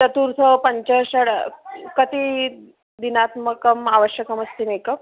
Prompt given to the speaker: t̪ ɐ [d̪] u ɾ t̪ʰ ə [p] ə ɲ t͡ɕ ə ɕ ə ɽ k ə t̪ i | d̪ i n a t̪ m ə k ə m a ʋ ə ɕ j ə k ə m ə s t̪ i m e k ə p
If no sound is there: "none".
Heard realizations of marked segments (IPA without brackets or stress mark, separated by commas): t̪, p